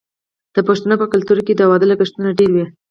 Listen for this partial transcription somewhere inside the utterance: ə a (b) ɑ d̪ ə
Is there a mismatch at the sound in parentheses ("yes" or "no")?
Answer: yes